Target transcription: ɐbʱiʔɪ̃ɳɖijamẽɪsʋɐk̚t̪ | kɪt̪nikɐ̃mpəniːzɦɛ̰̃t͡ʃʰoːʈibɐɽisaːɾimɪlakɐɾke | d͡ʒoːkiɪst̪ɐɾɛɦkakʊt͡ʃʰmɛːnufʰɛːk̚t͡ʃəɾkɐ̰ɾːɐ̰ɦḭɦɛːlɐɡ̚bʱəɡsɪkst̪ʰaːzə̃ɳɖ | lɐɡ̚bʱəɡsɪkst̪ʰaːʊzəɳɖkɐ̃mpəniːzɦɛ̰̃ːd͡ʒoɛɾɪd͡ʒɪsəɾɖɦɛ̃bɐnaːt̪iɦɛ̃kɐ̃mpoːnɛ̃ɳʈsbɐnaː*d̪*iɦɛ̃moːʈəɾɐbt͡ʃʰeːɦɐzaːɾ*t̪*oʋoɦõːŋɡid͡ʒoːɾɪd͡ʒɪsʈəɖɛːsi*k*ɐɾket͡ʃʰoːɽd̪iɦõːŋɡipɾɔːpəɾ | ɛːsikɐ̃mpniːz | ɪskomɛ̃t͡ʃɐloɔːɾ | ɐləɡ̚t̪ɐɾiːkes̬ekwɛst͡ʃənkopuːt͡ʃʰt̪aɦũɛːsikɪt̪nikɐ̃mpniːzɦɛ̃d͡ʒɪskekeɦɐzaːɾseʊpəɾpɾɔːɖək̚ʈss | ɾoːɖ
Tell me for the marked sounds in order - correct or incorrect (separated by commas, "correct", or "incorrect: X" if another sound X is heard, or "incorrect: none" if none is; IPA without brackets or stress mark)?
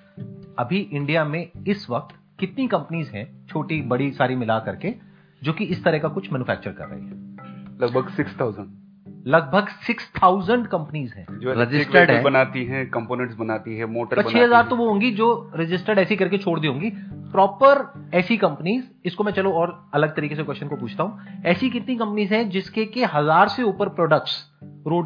incorrect: t̪, correct, correct